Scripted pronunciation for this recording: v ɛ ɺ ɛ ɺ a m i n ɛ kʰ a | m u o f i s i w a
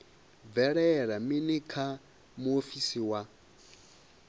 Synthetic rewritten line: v ɛ ɺ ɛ ɺ a m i n i kʰ a | m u o f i s i w a